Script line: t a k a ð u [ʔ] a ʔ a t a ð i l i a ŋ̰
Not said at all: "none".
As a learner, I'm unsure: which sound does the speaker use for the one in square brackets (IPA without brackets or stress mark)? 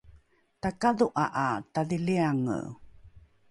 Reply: ʔ